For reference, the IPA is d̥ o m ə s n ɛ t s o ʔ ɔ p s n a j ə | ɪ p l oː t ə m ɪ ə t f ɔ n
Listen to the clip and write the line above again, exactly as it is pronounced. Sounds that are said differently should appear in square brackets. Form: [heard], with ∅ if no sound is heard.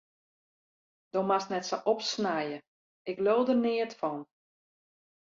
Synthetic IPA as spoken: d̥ o m [a] s n ɛ t s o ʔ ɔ p s n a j ə | ɪ [k] l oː [d] ə [n] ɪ ə t f ɔ n

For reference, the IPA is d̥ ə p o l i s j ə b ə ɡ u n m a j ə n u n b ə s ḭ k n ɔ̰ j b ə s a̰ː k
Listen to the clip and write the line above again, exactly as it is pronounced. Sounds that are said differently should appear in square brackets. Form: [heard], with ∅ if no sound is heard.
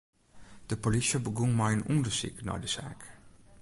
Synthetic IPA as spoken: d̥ ə p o l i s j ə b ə ɡ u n m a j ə n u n [d] ə s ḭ k n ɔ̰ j [d] ə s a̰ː k

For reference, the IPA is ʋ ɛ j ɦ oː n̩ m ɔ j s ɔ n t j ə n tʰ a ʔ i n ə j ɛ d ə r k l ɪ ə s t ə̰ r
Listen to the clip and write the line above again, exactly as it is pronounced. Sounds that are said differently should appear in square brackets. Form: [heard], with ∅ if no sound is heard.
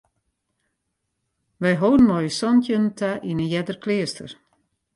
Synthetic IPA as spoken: ʋ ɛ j ɦ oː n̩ m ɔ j s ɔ n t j ə n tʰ a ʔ i n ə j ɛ d ə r k l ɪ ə s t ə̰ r

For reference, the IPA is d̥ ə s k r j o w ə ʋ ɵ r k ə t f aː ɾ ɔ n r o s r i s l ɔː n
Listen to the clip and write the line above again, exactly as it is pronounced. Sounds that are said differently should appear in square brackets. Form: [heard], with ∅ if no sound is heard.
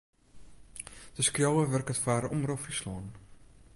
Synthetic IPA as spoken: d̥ ə s k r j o w ə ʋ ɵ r k ə t f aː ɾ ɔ [m] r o [f] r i s l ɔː n

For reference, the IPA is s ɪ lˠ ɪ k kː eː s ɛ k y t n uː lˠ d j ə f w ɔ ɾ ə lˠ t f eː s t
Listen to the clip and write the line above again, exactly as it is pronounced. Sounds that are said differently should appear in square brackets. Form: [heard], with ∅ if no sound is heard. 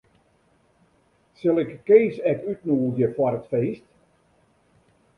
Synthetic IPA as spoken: s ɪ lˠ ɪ k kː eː s ɛ k y t n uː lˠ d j ə f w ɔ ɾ ə [∅] t f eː s t

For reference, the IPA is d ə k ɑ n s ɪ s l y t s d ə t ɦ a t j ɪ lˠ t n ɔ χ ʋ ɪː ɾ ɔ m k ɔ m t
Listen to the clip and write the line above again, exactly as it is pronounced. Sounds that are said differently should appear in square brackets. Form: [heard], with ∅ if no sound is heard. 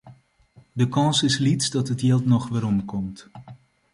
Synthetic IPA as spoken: d ə k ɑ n s ɪ s l [i] t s d [ɑ] t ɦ [ə] t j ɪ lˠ t n ɔ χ ʋ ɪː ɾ ɔ m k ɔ m t

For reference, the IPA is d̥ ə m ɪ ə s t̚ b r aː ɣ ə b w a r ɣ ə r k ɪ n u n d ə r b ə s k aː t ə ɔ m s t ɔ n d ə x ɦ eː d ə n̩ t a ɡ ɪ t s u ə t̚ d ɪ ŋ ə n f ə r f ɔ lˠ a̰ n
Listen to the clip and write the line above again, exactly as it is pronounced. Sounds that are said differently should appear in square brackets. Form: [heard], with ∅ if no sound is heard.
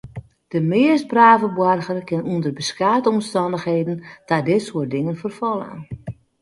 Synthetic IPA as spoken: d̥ ə m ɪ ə s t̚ b r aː [v] ə b w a r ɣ ə r k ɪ n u n d ə r b ə s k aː t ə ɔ m s t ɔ n d ə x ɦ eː d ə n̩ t a [d] ɪ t s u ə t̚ d ɪ ŋ ə n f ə r f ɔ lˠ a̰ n

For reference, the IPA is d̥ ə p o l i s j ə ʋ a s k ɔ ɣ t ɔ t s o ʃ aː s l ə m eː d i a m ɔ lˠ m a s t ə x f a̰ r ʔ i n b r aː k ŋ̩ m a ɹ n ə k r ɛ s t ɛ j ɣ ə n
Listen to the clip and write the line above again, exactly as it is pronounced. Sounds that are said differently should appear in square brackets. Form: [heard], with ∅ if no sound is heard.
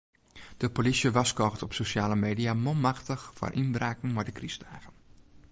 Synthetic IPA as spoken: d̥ ə p o l i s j ə ʋ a s k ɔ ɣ t ɔ [p] s o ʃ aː [∅] l ə m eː d i a m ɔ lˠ m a [x] t ə x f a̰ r ʔ i n b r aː k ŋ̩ m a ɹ [d] ə k r [i] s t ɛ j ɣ ə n

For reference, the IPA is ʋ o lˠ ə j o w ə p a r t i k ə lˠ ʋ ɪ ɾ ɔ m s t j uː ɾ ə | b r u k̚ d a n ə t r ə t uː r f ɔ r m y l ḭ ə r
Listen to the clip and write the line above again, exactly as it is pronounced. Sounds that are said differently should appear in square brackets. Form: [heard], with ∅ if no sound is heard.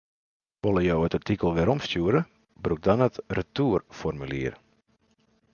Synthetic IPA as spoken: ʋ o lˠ ə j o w ə [t] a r t i k ə lˠ ʋ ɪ ɾ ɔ m s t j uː ɾ ə | b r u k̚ d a n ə t r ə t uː r f ɔ r m y l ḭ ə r

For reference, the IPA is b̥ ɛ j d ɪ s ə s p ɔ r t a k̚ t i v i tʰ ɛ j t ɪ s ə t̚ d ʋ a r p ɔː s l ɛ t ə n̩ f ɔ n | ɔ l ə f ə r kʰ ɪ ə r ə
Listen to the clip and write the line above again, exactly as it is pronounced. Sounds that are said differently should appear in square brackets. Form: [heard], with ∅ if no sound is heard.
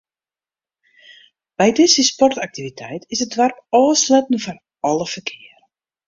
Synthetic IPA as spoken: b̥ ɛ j d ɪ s ə s p ɔ r t a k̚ t i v i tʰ ɛ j t ɪ s ə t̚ d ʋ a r p ɔː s l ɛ t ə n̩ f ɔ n | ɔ l ə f ə r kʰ ɪ ə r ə

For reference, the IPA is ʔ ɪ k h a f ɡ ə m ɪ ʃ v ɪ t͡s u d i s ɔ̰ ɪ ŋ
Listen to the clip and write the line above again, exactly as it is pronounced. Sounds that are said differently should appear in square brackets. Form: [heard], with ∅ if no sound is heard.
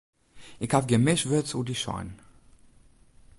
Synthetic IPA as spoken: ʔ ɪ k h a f ɡ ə m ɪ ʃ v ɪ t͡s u d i [ʃ] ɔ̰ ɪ [n]

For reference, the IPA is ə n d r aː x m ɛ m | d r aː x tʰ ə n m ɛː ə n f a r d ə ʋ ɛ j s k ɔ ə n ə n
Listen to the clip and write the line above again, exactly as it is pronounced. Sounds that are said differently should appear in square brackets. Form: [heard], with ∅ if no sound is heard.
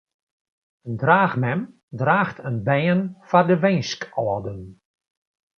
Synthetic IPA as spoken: ə n d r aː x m ɛ m | d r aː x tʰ ə n [b] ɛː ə n f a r d ə ʋ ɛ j s k ɔ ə [d] ə n

